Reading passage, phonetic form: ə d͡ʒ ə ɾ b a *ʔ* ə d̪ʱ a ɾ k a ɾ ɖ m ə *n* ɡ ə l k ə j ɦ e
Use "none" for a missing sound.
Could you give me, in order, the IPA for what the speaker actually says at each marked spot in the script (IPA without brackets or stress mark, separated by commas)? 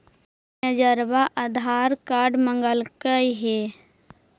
ʔ, ŋ